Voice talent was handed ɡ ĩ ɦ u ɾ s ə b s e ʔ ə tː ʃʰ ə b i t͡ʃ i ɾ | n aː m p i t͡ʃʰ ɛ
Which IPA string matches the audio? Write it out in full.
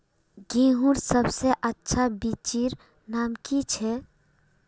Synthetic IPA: ɡ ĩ ɦ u ɾ s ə b s e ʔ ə tː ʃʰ a b i t͡ʃ i ɾ | n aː m k i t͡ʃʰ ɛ